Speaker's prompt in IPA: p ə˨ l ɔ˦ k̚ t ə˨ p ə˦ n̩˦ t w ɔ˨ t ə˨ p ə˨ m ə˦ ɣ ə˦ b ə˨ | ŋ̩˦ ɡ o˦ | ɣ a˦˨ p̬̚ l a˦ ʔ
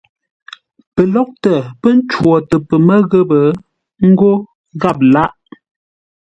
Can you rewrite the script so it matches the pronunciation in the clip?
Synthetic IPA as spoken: p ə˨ l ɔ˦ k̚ t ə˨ p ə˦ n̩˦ t͡ʃ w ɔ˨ t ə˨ p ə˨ m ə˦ ɣ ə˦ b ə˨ | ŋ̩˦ ɡ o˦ | ɣ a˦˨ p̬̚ l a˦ ʔ